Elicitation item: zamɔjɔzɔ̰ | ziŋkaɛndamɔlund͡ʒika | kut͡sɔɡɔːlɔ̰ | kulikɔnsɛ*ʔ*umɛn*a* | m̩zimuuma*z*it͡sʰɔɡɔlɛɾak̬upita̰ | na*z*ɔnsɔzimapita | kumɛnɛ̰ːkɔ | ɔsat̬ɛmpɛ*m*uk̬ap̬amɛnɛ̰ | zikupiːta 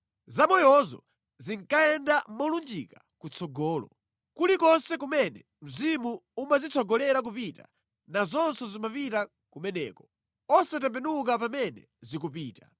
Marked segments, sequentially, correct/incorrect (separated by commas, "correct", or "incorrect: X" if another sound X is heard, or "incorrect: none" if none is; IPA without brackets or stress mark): incorrect: k, incorrect: ɛ, correct, correct, incorrect: n